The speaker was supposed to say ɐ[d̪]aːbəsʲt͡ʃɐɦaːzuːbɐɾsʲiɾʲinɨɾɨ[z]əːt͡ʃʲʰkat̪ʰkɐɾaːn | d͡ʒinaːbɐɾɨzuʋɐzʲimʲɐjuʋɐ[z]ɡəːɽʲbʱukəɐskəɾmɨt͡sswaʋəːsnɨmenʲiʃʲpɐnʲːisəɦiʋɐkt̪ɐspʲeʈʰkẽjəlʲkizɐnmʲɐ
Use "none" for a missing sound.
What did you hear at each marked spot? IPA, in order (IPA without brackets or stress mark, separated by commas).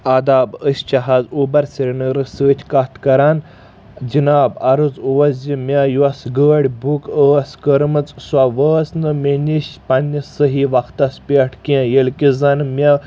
d̪, s, s